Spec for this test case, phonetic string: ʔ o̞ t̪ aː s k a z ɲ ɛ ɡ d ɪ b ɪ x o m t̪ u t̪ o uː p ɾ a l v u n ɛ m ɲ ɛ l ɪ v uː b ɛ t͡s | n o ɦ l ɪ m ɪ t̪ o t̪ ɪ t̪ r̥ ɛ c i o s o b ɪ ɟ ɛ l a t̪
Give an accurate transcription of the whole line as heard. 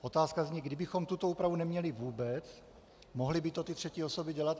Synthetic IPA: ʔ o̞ t̪ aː s k a z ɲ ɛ ɡ d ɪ b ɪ x o m t̪ u t̪ o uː p ɾ a v u n ɛ m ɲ ɛ l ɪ v uː b ɛ t͡s | m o ɦ l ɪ b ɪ t̪ o t̪ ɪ t̪ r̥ ɛ c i o s o b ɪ ɟ ɛ l a t̪